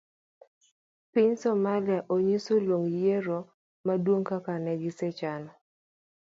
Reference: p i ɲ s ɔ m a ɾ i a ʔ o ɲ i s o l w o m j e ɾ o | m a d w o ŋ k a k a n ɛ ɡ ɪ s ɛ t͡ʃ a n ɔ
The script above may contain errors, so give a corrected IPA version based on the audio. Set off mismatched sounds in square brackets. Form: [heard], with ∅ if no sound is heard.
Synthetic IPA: p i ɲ s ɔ m a [l] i a ʔ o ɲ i s o l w o [ŋ] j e ɾ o | m a d w o ŋ k a k a n ɛ ɡ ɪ s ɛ t͡ʃ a n ɔ